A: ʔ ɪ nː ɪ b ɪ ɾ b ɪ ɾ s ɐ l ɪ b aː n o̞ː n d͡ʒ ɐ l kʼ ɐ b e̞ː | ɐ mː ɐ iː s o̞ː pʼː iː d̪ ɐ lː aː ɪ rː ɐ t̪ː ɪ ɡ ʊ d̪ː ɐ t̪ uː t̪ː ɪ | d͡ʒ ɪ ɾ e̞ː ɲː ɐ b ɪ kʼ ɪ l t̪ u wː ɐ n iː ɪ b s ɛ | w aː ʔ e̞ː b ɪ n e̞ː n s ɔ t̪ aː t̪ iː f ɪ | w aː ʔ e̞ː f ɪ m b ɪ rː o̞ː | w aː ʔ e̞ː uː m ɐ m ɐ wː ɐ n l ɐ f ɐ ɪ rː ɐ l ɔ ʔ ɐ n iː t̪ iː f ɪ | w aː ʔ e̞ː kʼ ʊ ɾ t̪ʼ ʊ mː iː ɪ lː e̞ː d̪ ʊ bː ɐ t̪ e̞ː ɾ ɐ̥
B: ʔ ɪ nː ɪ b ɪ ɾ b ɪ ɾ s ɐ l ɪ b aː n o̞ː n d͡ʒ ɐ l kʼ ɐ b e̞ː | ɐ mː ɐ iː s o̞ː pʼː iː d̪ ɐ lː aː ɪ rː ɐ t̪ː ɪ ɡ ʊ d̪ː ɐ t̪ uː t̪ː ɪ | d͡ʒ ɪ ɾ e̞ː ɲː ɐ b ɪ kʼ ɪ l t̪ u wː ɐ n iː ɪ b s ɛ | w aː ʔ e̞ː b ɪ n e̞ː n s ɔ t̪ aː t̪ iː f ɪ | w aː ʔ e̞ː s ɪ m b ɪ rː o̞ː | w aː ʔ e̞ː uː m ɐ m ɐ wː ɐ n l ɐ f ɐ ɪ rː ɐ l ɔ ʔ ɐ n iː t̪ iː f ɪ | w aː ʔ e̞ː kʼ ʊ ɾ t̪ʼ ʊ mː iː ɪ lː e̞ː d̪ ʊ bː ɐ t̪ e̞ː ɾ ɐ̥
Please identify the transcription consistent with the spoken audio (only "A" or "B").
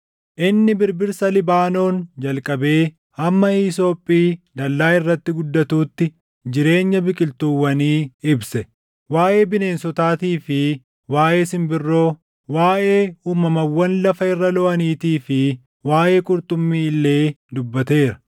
B